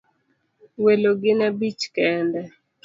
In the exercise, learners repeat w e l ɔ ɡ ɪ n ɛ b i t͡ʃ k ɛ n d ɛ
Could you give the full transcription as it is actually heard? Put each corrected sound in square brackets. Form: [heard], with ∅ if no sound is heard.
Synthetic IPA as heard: w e l [o] ɡ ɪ n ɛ b i t͡ʃ k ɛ n d ɛ